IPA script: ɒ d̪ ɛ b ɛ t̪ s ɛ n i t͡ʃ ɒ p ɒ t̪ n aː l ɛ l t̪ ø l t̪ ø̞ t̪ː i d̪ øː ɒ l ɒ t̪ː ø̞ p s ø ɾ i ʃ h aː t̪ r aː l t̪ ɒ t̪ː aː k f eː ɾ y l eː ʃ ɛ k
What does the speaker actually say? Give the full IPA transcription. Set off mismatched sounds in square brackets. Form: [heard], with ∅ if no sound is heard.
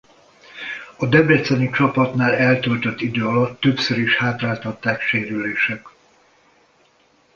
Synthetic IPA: ɒ d̪ ɛ b ɛ t̪ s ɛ n i t͡ʃ ɒ p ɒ t̪ n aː l ɛ l t̪ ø l t̪ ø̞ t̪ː i d̪ øː ɒ l ɒ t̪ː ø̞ p s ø ɾ i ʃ h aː t̪ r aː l t̪ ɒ t̪ː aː k [ʃ] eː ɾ y l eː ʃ ɛ k